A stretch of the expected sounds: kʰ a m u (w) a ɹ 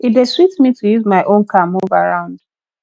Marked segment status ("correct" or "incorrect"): incorrect